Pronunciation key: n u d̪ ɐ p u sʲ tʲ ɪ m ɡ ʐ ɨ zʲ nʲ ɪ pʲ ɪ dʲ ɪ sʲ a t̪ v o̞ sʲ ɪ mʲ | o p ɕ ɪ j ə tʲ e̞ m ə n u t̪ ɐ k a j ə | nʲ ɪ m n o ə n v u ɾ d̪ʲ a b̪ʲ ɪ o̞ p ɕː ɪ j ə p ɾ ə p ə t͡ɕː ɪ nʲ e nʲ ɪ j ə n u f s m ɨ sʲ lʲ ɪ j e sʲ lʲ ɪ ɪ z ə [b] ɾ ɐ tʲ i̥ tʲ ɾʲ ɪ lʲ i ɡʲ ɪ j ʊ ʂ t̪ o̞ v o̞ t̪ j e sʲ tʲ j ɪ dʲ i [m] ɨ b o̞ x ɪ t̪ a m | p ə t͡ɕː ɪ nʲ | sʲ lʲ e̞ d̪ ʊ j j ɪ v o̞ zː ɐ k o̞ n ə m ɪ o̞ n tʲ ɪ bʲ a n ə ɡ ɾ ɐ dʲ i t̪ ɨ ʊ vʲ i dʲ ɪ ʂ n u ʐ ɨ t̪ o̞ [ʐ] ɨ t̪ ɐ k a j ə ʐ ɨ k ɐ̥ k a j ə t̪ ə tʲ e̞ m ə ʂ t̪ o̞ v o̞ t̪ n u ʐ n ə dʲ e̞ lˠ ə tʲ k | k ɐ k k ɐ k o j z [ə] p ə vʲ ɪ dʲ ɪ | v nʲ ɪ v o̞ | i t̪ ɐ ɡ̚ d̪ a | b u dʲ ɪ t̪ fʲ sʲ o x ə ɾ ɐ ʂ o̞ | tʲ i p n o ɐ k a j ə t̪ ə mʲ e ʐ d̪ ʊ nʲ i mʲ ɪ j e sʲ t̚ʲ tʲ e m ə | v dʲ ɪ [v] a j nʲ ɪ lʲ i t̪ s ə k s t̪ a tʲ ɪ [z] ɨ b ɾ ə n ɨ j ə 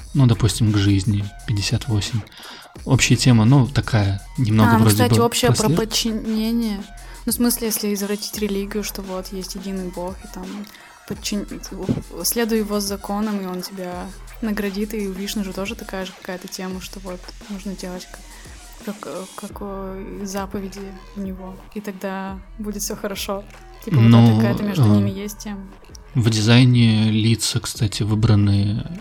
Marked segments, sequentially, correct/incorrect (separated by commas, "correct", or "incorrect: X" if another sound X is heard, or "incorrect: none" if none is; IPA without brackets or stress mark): incorrect: v, incorrect: n, correct, incorrect: a, incorrect: z, incorrect: v